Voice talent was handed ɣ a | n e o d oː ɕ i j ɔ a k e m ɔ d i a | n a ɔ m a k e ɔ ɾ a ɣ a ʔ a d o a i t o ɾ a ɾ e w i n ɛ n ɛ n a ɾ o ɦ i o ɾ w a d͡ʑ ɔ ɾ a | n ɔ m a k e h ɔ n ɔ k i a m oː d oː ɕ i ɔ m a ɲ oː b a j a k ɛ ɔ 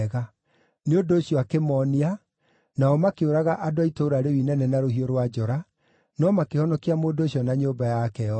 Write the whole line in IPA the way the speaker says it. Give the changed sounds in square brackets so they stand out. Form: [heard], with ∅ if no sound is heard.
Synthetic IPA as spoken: ɣ a | n e o d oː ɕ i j ɔ a k e m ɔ [n] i a | n a ɔ m a k e [o] ɾ a ɣ a ʔ a d o a i t o ɾ a ɾ e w i n ɛ n ɛ n a ɾ o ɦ i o ɾ w a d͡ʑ ɔ ɾ a | n ɔ m a k e h ɔ n ɔ k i a m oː d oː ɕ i ɔ [n] a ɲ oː b a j a k ɛ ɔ